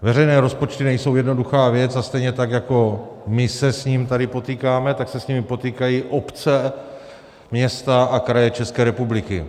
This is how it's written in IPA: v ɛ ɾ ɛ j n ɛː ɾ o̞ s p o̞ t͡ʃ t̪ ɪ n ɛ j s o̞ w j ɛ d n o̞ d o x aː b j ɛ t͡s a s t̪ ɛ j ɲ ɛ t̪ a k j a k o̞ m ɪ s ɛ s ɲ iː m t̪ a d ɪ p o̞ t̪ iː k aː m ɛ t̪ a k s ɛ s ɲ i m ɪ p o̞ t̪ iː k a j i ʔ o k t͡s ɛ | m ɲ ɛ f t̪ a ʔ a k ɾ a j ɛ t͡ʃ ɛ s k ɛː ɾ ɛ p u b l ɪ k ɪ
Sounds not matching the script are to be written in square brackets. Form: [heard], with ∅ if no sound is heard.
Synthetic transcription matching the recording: v ɛ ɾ ɛ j n ɛː ɾ o̞ s p o̞ t͡ʃ t̪ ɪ n ɛ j s o̞ w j ɛ d n o̞ d [u] x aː [v] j ɛ t͡s a s t̪ ɛ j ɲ ɛ t̪ a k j a k o̞ m ɪ s ɛ s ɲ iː m t̪ a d ɪ p o̞ t̪ iː k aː m ɛ t̪ a k s ɛ s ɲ i m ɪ p o̞ t̪ iː k a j i ʔ o [p] t͡s ɛ | m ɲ ɛ [s] t̪ a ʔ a k ɾ a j ɛ t͡ʃ ɛ s k ɛː ɾ ɛ p u b l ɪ k ɪ